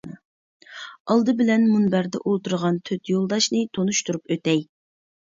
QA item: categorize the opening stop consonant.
plain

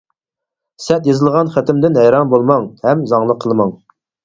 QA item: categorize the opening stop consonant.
plain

